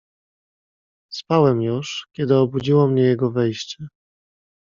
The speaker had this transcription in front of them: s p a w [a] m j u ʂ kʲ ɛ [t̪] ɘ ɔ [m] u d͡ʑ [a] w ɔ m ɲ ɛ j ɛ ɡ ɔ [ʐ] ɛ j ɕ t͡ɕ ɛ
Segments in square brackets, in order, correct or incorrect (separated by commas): incorrect, incorrect, incorrect, incorrect, incorrect